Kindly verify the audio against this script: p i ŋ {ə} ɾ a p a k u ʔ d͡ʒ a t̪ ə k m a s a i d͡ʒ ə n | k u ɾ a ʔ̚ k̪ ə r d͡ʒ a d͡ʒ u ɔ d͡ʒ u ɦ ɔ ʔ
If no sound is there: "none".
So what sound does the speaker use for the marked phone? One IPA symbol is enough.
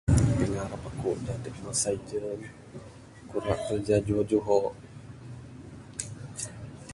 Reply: a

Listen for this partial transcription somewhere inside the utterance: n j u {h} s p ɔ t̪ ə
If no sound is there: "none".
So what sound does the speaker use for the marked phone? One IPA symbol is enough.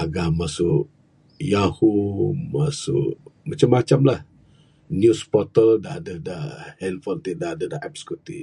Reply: none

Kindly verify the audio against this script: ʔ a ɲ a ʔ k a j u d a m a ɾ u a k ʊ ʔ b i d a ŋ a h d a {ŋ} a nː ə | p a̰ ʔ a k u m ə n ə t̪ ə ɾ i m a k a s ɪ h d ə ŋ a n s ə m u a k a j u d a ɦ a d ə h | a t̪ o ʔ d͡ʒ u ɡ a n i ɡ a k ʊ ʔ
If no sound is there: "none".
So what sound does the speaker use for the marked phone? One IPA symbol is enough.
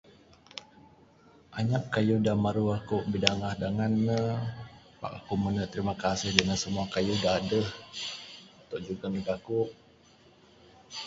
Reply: ŋ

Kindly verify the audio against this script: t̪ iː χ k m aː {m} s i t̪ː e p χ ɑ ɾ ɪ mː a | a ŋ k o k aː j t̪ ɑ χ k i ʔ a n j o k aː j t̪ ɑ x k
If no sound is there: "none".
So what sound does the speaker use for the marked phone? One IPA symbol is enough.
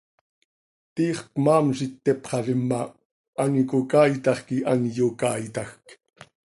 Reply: m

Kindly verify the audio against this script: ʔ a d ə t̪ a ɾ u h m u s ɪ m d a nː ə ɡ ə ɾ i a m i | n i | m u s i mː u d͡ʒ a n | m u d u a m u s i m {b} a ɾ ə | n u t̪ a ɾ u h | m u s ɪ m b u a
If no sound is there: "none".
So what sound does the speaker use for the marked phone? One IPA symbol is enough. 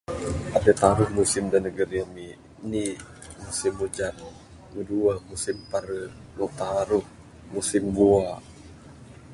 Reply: p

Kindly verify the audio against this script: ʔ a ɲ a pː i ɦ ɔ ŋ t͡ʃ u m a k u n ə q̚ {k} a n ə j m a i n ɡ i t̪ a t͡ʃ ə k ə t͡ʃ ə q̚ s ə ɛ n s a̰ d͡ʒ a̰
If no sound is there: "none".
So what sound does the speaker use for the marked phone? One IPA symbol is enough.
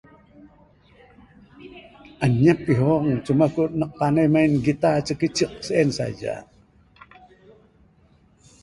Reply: p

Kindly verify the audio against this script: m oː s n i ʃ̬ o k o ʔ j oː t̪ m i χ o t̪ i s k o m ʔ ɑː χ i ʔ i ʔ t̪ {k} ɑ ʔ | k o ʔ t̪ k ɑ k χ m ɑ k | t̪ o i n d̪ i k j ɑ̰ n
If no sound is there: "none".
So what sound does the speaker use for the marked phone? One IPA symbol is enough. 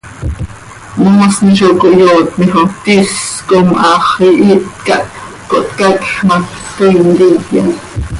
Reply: k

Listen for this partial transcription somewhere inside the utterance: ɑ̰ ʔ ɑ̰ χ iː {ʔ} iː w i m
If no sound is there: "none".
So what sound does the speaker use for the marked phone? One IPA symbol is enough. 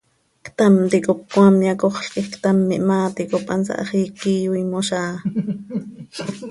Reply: k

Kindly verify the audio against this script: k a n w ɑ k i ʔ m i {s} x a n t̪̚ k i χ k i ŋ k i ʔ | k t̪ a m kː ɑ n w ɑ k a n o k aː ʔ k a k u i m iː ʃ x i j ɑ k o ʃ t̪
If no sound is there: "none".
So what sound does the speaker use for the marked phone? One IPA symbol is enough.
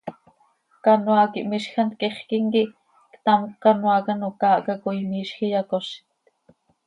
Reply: ʃ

